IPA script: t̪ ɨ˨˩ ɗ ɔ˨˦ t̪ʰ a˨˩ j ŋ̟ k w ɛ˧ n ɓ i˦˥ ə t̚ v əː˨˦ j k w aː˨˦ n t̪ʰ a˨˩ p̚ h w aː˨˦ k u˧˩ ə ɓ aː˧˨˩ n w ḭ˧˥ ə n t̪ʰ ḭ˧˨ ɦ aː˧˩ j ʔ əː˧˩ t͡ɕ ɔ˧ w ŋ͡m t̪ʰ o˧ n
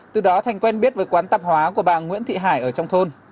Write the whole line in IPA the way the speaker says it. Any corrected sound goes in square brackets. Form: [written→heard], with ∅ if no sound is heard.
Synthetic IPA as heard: t̪ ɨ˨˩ ɗ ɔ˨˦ t̪ʰ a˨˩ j ŋ̟ k w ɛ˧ n ɓ i˦˥ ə t̚ v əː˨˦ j k w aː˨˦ n [t̪ʰ→t̪] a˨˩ p̚ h w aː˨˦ k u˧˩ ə ɓ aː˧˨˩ [n→ŋ] w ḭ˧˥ ə n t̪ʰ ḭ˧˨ ɦ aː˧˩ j ʔ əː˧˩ t͡ɕ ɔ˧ w ŋ͡m t̪ʰ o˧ n